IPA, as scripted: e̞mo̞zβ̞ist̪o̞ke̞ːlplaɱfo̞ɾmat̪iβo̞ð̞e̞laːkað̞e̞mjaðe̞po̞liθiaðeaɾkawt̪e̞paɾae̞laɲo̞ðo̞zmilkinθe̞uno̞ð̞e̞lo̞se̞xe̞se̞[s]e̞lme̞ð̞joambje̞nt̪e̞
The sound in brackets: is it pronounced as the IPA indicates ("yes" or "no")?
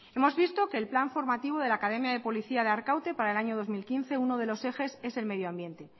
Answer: yes